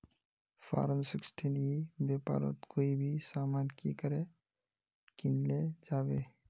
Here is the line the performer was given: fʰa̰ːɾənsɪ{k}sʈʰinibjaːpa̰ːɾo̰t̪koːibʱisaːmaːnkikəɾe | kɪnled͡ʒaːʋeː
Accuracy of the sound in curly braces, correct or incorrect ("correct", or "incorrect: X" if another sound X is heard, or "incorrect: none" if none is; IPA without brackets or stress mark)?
correct